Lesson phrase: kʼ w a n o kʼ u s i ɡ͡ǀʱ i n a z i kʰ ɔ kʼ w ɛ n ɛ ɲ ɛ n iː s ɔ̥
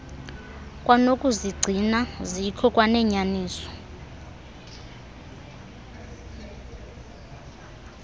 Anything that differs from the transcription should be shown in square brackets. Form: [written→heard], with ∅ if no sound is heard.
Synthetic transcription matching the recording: kʼ w a n o kʼ u [s→z] i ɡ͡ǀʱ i n a z i kʰ ɔ kʼ w [ɛ→a] n ɛ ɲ [ɛ→a] n iː s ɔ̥